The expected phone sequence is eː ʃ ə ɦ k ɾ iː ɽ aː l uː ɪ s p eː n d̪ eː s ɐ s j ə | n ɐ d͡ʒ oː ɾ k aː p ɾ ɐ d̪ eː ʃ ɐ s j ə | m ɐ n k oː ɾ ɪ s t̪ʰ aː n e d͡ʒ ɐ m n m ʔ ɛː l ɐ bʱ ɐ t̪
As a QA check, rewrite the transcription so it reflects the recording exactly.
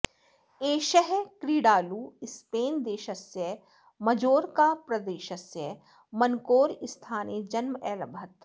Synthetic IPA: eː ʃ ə ɦ k ɾ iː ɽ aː l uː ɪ s p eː n d̪ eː ʃ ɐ s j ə | m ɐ d͡ʒ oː ɾ k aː p ɾ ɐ d̪ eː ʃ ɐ s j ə | m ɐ n k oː ɾ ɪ s t̪ʰ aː n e d͡ʒ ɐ n m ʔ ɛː l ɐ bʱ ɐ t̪